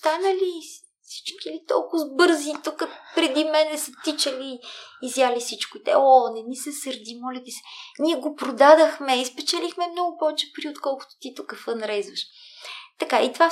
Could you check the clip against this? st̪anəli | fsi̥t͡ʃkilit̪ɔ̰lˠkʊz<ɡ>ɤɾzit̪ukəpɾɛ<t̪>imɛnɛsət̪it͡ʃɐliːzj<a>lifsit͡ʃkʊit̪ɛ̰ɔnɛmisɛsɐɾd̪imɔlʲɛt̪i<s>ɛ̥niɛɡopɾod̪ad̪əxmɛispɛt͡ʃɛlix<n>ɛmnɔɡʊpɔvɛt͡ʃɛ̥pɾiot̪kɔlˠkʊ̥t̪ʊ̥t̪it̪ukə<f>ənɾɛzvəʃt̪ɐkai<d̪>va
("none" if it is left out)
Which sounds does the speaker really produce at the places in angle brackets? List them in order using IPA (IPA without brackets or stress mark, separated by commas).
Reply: b, d̪, a, s, m, f, t̪